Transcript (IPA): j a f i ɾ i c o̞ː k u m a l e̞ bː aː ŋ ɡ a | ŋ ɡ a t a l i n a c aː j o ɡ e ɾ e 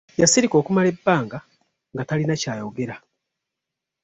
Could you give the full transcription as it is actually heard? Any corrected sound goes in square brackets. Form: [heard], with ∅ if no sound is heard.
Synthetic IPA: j a [s] i ɾ i [k] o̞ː k u m a l e̞ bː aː ŋ ɡ a | ŋ ɡ a t a l i n a c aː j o ɡ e ɾ [a]